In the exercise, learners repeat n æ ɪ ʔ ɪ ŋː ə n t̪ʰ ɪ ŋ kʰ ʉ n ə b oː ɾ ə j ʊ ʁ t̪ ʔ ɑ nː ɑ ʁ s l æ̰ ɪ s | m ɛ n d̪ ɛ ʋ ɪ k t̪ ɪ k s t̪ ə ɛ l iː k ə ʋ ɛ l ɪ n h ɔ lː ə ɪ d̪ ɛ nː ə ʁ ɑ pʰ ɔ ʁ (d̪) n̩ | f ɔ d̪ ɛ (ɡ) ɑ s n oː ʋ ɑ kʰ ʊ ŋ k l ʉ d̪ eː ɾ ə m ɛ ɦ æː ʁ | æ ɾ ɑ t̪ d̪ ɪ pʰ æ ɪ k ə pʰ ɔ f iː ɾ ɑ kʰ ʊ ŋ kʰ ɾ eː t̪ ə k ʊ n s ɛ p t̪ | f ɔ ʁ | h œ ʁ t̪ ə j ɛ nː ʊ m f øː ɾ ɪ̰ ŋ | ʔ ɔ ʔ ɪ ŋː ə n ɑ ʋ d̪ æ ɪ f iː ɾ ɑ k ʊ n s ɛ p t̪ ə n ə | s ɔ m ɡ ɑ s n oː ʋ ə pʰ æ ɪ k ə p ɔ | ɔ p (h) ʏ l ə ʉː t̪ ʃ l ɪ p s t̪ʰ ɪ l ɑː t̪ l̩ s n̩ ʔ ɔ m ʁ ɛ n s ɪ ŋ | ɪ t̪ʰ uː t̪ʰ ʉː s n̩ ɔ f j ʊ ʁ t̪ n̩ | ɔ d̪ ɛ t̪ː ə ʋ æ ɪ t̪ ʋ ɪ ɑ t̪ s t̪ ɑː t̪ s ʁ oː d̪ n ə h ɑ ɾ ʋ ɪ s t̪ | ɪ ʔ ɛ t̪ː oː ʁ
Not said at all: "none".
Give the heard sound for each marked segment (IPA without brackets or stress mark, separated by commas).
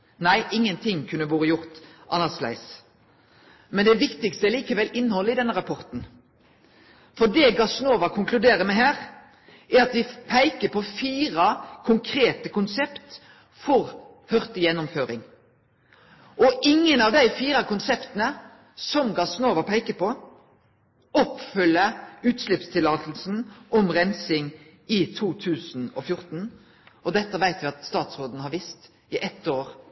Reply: t̪, ɡ, f